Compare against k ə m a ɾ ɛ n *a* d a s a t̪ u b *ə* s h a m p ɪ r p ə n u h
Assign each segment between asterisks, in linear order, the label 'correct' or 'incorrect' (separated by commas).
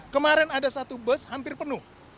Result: correct, correct